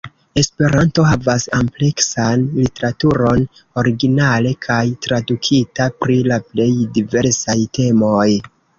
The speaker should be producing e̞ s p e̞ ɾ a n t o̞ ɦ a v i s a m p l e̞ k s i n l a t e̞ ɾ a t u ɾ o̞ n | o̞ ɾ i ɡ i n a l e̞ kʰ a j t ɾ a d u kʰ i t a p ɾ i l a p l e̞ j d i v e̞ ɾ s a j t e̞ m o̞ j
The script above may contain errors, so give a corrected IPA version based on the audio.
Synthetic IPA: e̞ s p e̞ ɾ a n t o̞ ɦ a v a s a m p l e̞ k s a n l i t e̞ ɾ a t u ɾ o̞ n | o̞ ɾ i ɡ i n a l e̞ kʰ a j t ɾ a d u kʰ i t a p ɾ i l a p l e̞ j d i v e̞ ɾ s a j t e̞ m o̞ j